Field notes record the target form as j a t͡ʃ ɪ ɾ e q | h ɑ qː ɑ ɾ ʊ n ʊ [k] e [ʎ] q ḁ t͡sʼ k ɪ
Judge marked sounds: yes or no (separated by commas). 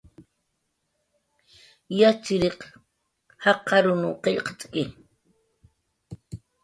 no, yes